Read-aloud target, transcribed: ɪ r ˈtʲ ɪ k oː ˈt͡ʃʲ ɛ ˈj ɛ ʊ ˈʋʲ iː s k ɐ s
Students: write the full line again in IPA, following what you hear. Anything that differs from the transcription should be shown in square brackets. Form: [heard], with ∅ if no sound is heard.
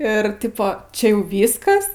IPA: ɪ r ˈtʲ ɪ [p] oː ˈt͡ʃʲ ɛ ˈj ɛ ʊ ˈʋʲ iː s k ɐ s